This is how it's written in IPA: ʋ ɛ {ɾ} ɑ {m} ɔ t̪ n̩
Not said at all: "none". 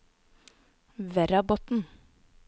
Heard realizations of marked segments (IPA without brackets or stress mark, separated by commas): ɾ, b